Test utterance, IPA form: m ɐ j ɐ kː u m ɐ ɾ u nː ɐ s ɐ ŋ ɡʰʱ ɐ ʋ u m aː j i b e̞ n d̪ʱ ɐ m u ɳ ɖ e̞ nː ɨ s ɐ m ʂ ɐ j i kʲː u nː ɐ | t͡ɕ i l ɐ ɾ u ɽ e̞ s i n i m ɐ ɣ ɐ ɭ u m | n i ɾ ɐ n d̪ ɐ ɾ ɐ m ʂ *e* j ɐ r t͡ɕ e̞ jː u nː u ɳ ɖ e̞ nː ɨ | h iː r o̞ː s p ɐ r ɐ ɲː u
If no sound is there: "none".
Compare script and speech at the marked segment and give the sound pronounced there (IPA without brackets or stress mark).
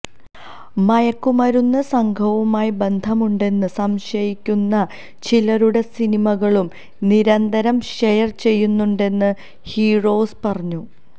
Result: e